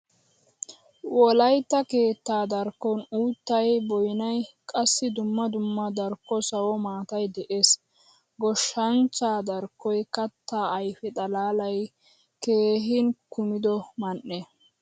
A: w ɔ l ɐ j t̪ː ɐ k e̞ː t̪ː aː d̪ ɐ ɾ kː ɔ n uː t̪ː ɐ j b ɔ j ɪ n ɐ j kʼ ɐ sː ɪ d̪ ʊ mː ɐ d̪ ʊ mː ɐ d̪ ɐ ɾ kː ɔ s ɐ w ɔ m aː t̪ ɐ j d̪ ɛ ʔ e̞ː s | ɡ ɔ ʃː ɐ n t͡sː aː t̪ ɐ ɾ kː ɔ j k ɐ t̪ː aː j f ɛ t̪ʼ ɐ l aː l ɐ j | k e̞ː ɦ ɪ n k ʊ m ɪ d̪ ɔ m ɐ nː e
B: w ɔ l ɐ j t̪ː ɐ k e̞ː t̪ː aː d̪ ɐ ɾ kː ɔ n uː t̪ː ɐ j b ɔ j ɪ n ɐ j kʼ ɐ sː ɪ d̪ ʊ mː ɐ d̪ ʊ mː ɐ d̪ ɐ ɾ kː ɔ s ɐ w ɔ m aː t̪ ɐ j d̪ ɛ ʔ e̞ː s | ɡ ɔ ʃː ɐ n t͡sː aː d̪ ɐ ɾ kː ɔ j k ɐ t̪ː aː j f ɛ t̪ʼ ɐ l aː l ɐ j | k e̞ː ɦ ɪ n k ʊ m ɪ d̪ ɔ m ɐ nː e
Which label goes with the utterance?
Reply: B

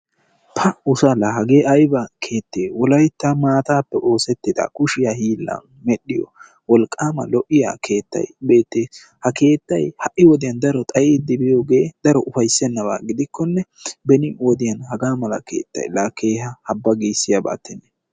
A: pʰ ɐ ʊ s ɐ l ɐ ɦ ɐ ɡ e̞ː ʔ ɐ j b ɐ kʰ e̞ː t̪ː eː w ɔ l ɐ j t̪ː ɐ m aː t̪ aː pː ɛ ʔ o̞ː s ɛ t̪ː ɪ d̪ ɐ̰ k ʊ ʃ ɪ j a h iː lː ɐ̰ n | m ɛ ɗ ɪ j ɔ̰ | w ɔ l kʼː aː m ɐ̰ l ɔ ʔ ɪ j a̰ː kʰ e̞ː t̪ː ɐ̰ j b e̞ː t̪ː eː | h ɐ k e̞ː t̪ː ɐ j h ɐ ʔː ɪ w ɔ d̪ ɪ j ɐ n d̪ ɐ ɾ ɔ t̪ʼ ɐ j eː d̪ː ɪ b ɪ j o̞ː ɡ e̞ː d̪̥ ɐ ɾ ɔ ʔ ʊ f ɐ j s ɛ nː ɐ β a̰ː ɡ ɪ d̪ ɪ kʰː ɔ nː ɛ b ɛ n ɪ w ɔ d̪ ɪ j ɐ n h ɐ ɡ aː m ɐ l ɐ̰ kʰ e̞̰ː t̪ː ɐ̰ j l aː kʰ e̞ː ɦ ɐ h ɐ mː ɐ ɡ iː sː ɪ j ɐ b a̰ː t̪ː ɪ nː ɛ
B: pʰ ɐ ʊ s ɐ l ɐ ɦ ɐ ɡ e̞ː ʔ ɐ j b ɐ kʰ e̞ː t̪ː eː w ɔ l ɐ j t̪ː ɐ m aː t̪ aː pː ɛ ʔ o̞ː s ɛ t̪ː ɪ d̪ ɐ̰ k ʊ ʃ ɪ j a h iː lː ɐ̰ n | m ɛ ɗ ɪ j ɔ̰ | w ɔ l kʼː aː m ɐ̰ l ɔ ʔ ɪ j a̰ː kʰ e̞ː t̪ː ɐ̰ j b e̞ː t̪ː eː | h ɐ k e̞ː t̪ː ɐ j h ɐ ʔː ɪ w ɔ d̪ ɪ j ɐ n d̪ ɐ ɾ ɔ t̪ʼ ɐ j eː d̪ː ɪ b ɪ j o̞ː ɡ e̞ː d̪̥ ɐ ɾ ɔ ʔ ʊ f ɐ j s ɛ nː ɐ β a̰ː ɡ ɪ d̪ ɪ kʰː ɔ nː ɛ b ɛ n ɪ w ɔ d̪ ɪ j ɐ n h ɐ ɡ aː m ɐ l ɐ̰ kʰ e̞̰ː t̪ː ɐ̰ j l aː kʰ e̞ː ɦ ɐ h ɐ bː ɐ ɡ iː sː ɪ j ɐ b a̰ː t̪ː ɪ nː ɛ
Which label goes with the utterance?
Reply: B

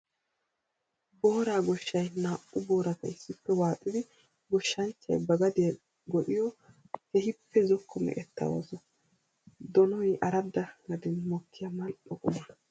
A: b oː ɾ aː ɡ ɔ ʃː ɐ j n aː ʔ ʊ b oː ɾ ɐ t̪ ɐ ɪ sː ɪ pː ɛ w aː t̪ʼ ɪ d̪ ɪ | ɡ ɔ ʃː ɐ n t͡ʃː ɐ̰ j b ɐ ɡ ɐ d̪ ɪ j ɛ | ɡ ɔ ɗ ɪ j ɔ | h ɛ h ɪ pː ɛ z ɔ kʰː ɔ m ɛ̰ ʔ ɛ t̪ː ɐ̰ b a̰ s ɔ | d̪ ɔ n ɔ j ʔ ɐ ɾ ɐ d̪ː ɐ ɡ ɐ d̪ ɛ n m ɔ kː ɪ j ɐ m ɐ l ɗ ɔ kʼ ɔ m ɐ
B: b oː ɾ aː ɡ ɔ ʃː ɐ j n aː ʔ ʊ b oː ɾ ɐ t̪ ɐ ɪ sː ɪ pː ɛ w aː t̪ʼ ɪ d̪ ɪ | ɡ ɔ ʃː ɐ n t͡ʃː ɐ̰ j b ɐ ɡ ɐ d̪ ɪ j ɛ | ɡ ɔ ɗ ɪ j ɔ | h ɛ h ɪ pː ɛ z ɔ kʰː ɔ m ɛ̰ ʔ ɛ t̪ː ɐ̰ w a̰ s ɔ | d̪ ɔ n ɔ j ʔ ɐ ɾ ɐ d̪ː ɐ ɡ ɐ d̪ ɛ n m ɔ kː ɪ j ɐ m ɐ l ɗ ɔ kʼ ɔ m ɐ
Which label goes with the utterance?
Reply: B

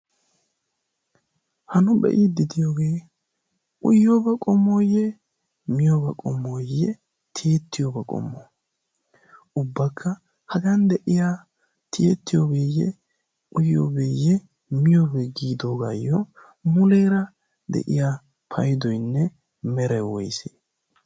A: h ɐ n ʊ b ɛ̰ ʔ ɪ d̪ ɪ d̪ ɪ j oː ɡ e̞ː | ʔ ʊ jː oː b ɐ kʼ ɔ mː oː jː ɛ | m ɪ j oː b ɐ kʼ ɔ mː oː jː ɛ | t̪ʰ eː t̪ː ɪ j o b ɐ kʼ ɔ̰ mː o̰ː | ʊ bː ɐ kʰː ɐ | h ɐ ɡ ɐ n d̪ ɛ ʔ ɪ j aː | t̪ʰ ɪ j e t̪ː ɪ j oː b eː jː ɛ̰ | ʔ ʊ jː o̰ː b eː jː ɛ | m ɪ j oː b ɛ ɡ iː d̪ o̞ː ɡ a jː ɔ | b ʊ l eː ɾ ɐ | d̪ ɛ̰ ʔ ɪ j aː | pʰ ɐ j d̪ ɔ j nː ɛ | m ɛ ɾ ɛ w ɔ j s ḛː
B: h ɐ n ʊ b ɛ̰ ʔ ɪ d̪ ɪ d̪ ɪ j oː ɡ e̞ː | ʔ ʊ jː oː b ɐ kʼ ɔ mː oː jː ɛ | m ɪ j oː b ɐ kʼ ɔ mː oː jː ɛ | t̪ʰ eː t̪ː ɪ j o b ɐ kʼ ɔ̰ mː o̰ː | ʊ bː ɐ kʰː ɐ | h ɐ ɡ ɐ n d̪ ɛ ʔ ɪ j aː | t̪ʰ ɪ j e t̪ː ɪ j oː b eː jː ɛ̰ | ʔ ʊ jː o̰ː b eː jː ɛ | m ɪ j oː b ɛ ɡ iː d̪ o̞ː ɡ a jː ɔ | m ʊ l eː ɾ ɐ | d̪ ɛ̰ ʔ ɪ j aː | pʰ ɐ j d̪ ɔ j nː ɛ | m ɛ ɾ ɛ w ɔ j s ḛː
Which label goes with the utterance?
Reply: B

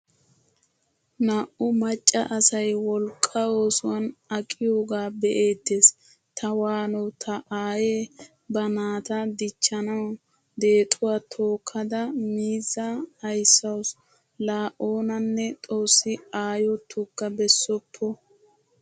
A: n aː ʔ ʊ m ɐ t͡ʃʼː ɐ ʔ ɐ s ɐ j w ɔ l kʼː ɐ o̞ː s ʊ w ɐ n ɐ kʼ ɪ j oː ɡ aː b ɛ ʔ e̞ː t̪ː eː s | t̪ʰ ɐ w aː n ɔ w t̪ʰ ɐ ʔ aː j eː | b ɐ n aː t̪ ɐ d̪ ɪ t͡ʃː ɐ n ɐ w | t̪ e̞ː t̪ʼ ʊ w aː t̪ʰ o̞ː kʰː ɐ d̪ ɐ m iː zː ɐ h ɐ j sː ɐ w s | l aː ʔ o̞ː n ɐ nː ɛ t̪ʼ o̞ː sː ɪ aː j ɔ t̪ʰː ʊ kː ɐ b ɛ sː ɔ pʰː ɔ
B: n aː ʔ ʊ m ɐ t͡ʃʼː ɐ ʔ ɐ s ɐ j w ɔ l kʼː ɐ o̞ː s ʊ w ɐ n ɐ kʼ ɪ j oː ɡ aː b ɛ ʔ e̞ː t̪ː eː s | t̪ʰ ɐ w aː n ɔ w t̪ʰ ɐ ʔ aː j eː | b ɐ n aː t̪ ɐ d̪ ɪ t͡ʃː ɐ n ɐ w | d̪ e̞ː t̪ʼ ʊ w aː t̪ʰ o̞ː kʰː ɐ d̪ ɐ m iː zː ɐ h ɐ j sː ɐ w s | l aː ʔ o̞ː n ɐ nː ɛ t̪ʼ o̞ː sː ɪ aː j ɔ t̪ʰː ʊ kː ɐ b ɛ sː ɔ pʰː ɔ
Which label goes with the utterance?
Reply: B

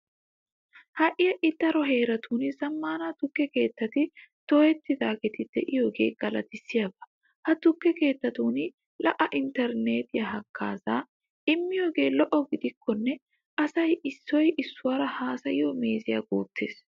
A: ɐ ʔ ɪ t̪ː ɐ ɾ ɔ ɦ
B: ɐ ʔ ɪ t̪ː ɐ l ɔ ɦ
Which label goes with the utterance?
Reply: A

